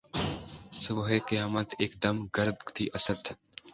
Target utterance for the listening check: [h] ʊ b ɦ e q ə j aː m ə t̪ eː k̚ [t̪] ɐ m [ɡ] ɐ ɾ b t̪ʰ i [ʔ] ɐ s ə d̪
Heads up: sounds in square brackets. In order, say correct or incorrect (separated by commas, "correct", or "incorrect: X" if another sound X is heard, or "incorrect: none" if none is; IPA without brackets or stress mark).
incorrect: s, incorrect: d̪, correct, correct